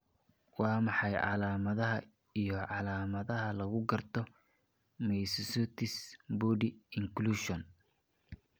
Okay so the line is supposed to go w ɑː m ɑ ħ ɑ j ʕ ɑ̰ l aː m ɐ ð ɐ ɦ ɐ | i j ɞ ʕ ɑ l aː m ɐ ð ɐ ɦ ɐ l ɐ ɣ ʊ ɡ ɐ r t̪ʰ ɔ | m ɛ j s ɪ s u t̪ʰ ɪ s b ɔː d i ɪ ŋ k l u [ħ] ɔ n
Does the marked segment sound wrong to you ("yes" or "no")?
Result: yes